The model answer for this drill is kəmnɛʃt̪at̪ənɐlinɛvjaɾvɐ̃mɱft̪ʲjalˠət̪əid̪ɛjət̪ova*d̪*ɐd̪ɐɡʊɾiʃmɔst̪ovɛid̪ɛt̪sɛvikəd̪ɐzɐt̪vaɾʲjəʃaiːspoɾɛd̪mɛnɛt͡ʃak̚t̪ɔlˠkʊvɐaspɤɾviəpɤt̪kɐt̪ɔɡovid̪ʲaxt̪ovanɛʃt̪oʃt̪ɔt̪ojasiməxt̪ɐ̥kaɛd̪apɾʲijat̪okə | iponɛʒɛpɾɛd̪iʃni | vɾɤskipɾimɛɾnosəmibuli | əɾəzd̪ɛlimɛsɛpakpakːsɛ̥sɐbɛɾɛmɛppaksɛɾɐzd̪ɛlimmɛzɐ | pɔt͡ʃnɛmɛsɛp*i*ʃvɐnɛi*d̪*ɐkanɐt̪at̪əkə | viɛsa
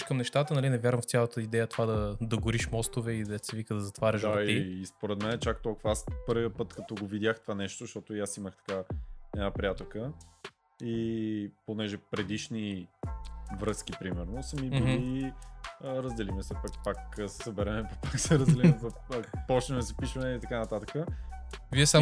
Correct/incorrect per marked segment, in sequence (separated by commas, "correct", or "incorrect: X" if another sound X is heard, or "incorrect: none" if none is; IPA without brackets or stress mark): correct, correct, incorrect: t̪